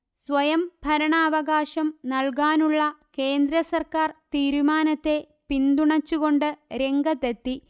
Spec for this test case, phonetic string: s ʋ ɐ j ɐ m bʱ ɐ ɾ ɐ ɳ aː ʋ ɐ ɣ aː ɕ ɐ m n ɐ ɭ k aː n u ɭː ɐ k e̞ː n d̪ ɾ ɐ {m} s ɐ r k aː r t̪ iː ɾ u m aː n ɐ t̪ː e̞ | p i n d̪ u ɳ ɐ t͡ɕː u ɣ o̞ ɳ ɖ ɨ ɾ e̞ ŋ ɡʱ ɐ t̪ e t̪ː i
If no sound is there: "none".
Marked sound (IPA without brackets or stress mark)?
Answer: none